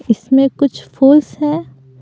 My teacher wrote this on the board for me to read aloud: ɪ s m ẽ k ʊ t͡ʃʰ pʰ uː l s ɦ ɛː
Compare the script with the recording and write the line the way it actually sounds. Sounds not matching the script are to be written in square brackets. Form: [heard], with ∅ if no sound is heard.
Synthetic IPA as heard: ɪ s m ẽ k ʊ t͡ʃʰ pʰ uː l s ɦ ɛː